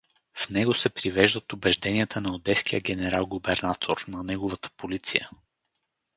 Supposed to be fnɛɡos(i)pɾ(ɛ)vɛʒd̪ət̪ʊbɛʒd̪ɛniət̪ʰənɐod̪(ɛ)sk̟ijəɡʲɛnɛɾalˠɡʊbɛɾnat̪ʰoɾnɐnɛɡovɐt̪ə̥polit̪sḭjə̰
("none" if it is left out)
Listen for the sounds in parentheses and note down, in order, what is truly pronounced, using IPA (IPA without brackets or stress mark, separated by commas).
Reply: ɛ, i, ɛ